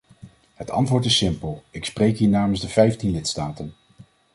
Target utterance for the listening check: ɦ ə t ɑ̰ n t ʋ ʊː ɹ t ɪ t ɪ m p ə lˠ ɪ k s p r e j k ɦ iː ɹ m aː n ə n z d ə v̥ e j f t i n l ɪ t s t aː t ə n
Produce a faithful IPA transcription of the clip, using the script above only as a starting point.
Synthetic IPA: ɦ ə t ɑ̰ n t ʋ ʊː ɹ t ɪ s ɪ m p ə lˠ ɪ k s p r e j k ɦ iː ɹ n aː m ə n z d ə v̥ ɛ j f t i n l ɪ t s t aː t ə n